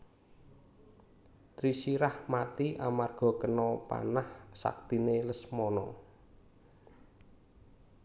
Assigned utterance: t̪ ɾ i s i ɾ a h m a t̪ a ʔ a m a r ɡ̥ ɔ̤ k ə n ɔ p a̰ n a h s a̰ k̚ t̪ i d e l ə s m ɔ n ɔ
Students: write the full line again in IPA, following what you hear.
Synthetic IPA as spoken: t̪ ɾ i s i ɾ a h m a t̪ i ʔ a m a r ɡ̥ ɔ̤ k ə n ɔ p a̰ n a h s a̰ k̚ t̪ i n e l ə s m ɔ n ɔ